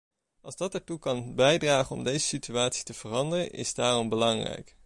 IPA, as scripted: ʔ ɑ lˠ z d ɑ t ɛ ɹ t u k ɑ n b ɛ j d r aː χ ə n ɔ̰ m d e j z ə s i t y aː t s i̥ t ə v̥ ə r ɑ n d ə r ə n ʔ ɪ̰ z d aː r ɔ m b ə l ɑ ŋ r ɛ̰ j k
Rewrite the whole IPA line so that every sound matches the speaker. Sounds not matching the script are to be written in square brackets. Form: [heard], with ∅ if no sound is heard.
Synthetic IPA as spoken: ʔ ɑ lˠ z d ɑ t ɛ ɹ t u k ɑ n b ɛ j d r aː χ ə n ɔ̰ m d e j z ə s i t y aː t s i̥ t ə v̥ ə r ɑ n d ə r ə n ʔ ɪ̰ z d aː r ɔ m b ə l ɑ ŋ r ɛ̰ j k